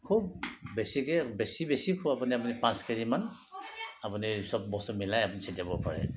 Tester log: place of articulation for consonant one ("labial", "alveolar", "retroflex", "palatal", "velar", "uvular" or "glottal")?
velar